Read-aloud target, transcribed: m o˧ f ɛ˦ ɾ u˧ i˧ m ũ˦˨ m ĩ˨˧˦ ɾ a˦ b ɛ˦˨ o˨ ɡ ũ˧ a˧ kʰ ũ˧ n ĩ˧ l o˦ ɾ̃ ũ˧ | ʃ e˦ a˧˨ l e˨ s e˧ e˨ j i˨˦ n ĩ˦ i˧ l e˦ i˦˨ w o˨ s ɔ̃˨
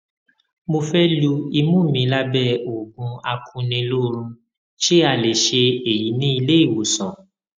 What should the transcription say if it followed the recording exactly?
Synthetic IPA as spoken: m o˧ f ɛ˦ l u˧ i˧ m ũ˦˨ m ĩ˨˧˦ l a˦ b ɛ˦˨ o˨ ɡ ũ˧ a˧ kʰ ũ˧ n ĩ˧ l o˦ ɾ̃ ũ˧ | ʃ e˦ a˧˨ l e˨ ʃ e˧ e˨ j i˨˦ n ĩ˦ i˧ l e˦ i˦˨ w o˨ s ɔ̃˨

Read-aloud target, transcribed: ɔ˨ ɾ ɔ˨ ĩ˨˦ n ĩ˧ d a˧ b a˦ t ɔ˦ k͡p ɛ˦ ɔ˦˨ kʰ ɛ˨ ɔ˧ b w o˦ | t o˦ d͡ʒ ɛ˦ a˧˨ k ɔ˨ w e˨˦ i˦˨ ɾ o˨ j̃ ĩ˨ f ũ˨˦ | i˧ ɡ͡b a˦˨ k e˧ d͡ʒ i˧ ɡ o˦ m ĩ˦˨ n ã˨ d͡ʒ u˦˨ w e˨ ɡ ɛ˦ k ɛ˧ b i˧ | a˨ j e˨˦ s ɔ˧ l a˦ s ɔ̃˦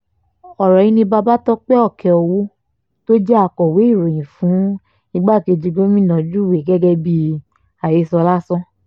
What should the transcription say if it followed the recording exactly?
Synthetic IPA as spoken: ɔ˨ ɾ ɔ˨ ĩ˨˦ n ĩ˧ b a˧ b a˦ t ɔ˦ k͡p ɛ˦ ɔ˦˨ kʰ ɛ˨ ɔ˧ w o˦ | t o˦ d͡ʒ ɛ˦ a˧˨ k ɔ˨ w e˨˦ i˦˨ ɾ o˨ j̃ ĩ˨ f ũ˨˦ | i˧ ɡ͡b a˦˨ k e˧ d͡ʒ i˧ ɡ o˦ m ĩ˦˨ n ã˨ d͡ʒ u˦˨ w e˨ ɡ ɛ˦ ɡ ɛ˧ b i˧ | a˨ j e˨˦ s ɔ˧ l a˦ s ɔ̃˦

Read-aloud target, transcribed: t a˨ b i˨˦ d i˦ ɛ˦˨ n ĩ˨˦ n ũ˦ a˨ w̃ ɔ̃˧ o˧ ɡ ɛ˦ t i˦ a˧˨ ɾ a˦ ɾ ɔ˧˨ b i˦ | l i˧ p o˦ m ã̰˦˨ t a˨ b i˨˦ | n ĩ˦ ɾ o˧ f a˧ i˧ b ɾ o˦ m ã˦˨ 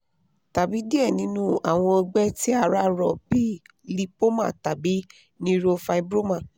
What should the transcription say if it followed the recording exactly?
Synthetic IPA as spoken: t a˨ b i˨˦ d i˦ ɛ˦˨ n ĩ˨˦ n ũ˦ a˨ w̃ ɔ̃˧ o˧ ɡ͡b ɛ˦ t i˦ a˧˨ ɾ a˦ ɾ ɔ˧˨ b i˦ | l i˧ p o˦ m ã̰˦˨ t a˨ b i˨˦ | n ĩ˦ ɾ o˧ f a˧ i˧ b ɾ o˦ m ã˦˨

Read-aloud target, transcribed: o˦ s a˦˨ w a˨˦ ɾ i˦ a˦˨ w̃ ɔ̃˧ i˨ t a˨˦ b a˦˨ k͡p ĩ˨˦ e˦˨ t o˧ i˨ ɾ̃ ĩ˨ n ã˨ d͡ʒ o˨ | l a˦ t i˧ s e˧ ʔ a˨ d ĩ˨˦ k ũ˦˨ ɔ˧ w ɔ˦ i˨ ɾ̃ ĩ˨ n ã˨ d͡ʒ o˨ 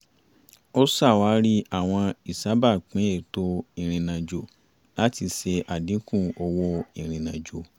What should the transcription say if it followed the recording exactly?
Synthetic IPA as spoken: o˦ s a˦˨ w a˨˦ ɾ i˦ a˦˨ w̃ ɔ̃˧ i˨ s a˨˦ b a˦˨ k͡p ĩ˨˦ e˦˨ t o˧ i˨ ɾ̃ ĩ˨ n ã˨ d͡ʒ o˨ | l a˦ t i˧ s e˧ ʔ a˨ d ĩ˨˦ k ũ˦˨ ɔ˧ w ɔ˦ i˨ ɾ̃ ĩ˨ n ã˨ d͡ʒ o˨

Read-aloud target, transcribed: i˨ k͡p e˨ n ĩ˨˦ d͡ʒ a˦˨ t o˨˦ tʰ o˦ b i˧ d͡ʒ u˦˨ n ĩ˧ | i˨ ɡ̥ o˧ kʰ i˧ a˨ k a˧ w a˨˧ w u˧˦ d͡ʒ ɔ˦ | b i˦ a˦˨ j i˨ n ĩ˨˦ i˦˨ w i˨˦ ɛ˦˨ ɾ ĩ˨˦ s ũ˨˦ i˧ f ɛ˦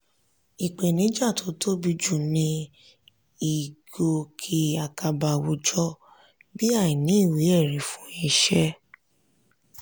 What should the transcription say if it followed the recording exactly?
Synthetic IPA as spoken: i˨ k͡p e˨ n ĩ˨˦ d͡ʒ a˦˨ t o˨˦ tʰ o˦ b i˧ d͡ʒ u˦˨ n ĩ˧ | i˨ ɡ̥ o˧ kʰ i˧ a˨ k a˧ b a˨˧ w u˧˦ d͡ʒ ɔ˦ | b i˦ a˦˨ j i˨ n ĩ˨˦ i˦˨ w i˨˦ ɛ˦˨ ɾ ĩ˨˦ f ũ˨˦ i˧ ʃ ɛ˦

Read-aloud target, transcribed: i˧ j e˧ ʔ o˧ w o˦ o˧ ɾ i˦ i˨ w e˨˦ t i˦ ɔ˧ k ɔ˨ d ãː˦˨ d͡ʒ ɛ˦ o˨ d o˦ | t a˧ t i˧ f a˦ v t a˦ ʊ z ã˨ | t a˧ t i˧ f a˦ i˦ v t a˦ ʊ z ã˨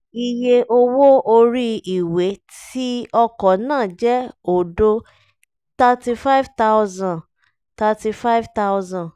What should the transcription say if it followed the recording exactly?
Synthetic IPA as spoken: i˧ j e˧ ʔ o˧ w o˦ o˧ ɾ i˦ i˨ w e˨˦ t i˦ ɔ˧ k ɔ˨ n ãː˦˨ d͡ʒ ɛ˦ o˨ d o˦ | t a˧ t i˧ f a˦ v t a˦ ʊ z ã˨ | t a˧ t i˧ f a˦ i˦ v t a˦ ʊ z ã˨

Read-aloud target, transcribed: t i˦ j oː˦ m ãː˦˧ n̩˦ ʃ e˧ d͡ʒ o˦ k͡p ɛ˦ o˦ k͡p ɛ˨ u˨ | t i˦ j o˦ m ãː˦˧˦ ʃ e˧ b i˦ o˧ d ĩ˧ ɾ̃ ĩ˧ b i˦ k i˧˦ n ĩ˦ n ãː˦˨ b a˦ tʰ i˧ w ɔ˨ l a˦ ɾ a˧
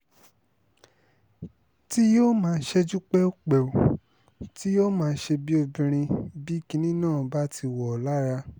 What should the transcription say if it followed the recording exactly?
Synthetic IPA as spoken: t i˦ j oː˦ m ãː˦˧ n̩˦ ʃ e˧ d͡ʒ u˦ k͡p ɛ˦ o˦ k͡p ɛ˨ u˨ | t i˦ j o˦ m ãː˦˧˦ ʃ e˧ b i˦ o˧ b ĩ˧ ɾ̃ ĩ˧ b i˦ k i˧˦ n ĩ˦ n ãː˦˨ b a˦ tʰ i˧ w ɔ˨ l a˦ ɾ a˧

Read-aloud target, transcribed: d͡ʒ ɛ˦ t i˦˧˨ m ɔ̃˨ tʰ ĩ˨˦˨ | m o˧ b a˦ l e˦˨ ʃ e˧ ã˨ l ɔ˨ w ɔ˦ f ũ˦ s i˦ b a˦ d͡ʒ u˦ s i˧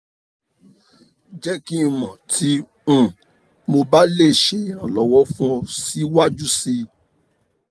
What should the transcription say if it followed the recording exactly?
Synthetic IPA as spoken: d͡ʒ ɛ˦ k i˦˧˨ m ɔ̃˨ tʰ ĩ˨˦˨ | m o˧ b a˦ l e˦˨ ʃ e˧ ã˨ l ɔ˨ w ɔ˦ f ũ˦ s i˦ w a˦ d͡ʒ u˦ s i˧

